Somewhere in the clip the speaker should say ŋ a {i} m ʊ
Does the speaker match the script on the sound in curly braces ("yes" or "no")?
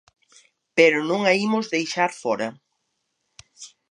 yes